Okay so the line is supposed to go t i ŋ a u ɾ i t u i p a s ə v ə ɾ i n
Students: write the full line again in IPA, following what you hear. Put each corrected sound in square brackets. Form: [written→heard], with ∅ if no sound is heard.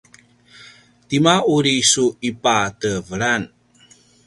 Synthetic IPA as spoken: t i [ŋ→m] a u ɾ i [t→s] u i p a [s→t] ə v ə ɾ [i→a] n